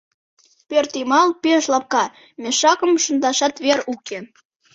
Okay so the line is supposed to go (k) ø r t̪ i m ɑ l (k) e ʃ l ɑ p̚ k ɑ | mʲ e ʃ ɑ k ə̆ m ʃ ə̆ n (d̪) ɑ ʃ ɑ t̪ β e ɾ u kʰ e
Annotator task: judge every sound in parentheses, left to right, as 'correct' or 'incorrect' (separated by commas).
incorrect, incorrect, correct